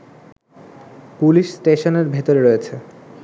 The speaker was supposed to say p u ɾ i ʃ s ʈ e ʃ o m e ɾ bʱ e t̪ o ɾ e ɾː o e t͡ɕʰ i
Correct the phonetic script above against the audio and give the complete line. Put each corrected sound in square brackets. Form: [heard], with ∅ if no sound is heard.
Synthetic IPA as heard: p u [l] i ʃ s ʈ e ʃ o [n] e ɾ bʱ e t̪ o ɾ e [ɾ] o e t͡ɕʰ [e]